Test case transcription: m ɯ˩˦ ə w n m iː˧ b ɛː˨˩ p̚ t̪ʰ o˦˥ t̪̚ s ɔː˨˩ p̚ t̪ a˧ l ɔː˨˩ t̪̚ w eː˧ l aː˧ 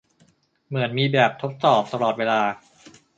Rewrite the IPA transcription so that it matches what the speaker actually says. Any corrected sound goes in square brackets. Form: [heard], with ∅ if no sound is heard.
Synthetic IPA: m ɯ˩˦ ə [∅] n m iː˧ b ɛː˨˩ p̚ t̪ʰ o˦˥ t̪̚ s ɔː˨˩ p̚ t̪ a˧ l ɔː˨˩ t̪̚ w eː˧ l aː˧